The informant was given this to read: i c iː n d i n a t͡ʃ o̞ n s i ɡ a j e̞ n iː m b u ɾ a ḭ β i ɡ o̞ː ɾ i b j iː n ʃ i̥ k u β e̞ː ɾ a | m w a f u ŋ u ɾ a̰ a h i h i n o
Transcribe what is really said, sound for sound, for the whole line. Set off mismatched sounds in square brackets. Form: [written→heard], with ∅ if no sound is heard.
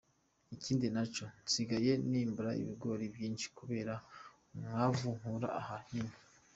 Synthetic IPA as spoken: i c iː n d i n a t͡ʃ o̞ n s i ɡ a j e̞ n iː m b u ɾ a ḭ β i ɡ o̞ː ɾ i b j iː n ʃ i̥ k u β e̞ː ɾ a | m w a [f→v] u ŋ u ɾ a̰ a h [i→a] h i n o